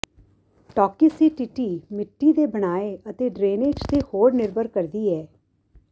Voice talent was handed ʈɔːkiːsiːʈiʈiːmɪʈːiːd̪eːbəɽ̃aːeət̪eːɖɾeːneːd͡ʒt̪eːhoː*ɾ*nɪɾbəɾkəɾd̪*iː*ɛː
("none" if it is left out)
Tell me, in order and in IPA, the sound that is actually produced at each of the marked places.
ɾ, iː

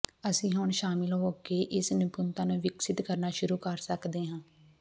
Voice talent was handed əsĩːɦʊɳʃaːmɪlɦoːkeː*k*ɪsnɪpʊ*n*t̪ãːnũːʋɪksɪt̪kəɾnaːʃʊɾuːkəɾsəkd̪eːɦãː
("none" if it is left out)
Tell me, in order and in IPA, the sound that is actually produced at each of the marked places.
ʔ, n

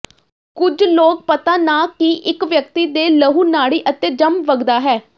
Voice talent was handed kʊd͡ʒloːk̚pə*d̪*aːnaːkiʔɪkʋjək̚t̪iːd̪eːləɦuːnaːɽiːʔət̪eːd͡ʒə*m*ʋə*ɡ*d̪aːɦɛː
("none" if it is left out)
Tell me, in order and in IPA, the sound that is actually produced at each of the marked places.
t̪, m, ɡ

